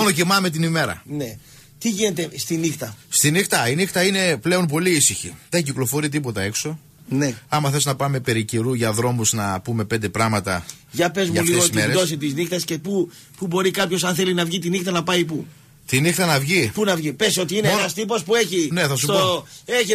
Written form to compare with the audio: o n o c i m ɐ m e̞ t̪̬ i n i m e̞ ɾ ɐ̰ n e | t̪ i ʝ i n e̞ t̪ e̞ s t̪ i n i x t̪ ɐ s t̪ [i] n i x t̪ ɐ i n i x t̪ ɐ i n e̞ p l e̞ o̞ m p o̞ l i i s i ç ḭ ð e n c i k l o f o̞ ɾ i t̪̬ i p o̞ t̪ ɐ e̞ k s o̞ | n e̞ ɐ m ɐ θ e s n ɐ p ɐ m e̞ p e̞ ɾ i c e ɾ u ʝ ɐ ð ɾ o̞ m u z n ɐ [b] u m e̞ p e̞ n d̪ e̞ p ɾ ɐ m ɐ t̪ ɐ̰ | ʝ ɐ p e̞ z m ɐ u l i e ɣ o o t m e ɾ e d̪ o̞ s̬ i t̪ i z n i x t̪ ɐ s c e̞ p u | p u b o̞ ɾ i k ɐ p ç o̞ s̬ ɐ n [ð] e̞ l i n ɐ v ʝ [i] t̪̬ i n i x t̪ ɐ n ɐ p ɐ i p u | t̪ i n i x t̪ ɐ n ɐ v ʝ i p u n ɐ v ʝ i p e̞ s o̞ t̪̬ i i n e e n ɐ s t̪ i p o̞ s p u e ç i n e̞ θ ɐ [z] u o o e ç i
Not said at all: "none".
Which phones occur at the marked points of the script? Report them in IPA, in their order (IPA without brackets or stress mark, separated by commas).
i, p, θ, i, s